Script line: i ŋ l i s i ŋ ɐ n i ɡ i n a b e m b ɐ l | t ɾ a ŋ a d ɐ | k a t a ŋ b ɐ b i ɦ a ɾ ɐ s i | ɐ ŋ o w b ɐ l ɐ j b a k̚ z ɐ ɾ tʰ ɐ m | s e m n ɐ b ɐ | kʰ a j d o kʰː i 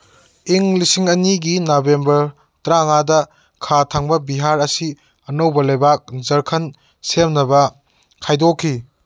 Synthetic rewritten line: i ŋ l i s i ŋ ɐ n i ɡ i n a b e m b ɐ ɾ | t ɾ a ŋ a d ɐ | kʰ a tʰ a ŋ b ɐ b i ɦ a ɾ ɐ s i | ɐ n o w b ɐ l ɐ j b a k̚ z ɐ ɾ kʰ ɐ n | s e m n ɐ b ɐ | kʰ a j d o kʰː i